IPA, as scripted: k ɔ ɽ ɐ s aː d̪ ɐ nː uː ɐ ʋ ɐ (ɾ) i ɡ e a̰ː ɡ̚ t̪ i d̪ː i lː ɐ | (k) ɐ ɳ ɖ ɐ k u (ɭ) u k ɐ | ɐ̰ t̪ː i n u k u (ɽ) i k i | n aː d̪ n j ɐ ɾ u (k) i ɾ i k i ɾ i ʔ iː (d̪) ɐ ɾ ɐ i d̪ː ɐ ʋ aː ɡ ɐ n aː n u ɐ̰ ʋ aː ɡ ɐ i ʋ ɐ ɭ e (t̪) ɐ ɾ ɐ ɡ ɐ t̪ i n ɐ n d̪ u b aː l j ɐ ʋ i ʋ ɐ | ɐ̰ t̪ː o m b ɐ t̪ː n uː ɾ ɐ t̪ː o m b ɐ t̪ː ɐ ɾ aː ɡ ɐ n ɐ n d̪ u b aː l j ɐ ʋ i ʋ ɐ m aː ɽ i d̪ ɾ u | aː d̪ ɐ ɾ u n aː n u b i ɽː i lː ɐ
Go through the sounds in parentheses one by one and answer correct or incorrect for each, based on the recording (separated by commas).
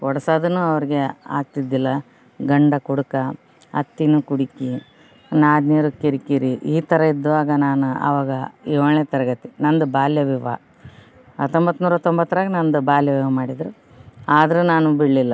correct, incorrect, incorrect, correct, correct, incorrect, correct